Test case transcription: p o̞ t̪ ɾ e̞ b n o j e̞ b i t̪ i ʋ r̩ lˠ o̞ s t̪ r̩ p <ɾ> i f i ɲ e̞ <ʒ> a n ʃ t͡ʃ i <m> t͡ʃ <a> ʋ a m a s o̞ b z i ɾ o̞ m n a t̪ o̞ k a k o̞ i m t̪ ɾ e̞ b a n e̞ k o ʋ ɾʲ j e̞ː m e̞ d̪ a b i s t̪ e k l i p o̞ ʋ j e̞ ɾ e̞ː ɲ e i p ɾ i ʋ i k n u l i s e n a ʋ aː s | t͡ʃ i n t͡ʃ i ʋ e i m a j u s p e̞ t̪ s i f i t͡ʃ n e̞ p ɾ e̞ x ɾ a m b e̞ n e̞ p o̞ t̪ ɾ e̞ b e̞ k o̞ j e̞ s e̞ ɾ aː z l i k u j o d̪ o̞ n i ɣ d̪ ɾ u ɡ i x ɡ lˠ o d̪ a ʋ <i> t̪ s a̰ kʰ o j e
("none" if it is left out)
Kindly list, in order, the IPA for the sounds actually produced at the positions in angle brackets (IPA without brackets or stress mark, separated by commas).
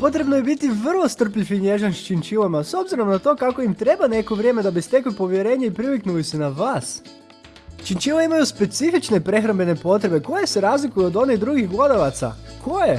ʎ, ʒ, n, i, a